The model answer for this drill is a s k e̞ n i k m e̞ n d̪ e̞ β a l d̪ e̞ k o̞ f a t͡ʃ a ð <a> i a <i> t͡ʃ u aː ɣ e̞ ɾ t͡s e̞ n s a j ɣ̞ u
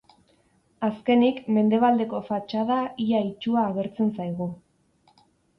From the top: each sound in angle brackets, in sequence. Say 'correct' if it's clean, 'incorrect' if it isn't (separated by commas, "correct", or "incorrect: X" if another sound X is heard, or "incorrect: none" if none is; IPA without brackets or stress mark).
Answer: correct, correct